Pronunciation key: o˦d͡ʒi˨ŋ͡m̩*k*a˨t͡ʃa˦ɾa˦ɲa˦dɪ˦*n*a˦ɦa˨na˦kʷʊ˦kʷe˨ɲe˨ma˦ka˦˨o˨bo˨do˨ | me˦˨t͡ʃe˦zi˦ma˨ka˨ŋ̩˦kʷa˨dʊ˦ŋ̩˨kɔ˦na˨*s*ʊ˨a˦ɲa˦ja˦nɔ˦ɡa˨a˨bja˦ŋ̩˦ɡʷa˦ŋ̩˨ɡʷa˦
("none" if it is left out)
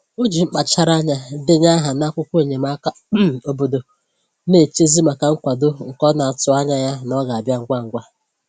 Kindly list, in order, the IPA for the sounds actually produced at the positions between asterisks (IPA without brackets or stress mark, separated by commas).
k͡p, ɲ, t